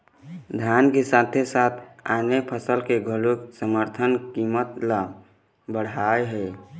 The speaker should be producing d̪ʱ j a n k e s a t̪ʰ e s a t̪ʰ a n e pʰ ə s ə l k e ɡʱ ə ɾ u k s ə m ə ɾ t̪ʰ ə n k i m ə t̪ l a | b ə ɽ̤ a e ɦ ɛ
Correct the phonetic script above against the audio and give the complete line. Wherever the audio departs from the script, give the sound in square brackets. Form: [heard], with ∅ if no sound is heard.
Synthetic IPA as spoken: d̪ʱ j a n k e s a t̪ʰ e s a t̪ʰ a n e pʰ ə s ə l k e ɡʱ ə [l] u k s ə m ə ɾ t̪ʰ ə n k i m ə t̪ l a | b ə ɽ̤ a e ɦ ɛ